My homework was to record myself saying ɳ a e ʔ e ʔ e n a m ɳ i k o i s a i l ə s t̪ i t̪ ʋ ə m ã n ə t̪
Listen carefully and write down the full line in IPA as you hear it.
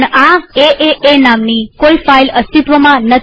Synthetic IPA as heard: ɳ a e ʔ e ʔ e n a m n i k o i f a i l ə s t̪ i t̪ ʋ ə m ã n ə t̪

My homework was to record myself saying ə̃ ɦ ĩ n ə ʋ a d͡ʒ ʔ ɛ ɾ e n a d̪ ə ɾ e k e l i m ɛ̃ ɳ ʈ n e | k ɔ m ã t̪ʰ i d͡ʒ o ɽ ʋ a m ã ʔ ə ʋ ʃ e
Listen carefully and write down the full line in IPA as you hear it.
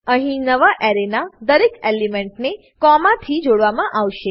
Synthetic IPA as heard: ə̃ ɦ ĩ n ə ʋ a ʔ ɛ ɾ e n a d̪ ə ɾ e k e l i m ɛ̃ ɳ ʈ n e | k ɔ m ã t̪ʰ i d͡ʒ o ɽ ʋ a m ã ʔ a ʋ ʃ e

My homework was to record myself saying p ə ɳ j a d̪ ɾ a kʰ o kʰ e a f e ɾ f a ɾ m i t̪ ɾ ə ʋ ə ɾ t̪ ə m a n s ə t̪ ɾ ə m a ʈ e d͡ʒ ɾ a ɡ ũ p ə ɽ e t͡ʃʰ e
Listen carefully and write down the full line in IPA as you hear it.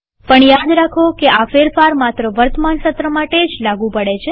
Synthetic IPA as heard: p ə ɳ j a d̪ ɾ a kʰ o k e a f e ɾ f a ɾ m a t̪ ɾ ə ʋ ə ɾ t̪ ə m a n s ə t̪ ɾ ə m a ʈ e d͡ʒ l a ɡ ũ p ə ɽ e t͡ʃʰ e

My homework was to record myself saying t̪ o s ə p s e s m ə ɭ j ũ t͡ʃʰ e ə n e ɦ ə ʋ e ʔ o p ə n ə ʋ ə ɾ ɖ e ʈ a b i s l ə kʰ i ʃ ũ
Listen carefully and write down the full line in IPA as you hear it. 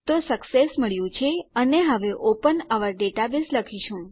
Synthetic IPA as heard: t̪ o s ə k s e s m ə ɭ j ũ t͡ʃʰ e ə n e ɦ ə ʋ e ʔ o p ə n ə ʋ ə ɾ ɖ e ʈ a b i s l ə kʰ i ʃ ũ

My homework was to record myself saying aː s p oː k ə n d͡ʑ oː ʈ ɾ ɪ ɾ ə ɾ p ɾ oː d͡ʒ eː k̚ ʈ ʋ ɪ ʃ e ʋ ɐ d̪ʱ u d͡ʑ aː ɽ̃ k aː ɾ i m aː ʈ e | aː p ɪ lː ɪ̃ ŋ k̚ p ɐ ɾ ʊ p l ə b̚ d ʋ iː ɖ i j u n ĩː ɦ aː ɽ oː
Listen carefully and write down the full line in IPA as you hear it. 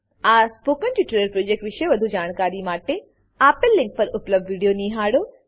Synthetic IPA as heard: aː s p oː k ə n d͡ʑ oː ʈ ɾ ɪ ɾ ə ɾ p ɾ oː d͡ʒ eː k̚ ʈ ʋ ɪ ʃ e ʋ ɐ d̪ʱ u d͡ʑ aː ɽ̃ k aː ɾ i m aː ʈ e | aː p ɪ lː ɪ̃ ŋ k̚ p ɐ ɾ ʊ p l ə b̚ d ʋ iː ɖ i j o n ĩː ɦ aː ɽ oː

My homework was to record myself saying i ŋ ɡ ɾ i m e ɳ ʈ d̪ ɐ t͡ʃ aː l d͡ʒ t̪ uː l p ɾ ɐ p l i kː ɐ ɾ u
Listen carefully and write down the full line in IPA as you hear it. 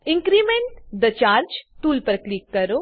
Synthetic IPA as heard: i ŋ k ɾ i m e ɳ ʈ d̪ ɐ t͡ʃ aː ɾ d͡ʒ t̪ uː l p ɾ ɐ k l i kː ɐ ɾ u

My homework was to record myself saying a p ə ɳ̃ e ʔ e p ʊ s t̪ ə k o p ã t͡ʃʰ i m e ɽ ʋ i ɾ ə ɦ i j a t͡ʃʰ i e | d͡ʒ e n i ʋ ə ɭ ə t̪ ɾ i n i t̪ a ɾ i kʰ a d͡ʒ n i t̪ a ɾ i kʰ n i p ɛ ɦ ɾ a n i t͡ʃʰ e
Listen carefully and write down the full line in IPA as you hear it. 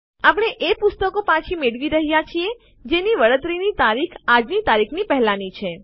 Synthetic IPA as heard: a p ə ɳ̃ e ʔ e p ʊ s t̪ ə k o p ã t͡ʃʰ i m e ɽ ʋ i ɾ ə ɦ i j a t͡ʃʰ i e | d͡ʒ e n i ʋ ə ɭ ə t̪ ɾ i n i t̪ a ɾ i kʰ a d͡ʒ n i t̪ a ɾ i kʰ n i p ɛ ɦ l a n i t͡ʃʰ e

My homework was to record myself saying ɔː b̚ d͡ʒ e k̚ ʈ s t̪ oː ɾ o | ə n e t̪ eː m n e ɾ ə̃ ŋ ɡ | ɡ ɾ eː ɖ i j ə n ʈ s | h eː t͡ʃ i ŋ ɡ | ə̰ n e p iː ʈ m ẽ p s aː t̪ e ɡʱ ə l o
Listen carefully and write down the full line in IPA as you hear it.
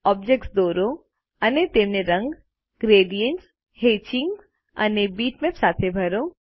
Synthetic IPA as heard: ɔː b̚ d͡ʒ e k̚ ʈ s d̪ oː ɾ o | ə n e t̪ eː m n e ɾ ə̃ ŋ ɡ | ɡ ɾ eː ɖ i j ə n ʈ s | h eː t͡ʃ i ŋ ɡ | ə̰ n e b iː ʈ m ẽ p s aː t̪ʰ e bʱ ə ɾ o

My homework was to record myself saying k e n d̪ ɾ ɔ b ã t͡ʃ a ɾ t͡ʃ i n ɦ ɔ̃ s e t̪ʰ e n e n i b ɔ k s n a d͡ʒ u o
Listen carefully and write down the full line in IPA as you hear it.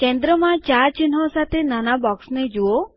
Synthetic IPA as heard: k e n d̪ ɾ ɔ m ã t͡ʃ a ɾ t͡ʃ i n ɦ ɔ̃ s a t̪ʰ e n a n a b ɔ k s n e d͡ʒ u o

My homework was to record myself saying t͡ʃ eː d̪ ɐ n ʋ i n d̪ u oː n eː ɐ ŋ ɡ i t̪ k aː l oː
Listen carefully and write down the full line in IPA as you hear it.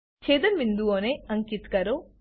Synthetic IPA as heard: t͡ʃ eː d̪ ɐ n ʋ i n d̪ u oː n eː ɐ ŋ k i t̪ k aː ɾ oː

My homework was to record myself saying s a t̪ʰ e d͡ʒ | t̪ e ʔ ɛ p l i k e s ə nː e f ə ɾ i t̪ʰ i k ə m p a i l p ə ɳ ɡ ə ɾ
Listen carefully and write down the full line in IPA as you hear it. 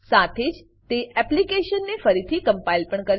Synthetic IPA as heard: s a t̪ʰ e d͡ʒ | t̪ e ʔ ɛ p l i k e ʃ ə nː e f ə ɾ i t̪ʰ i k ə m p a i l p ə ɳ k ə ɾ

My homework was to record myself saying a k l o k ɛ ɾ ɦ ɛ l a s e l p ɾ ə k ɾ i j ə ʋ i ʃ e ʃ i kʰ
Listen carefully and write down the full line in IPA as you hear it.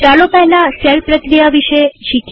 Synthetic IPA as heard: a l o p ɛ ɦ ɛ l a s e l p ɾ ə k ɾ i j a ʋ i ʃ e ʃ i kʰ

